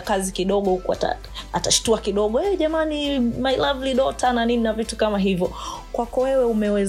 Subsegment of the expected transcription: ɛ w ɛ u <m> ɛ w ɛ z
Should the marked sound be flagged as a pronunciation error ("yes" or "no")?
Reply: no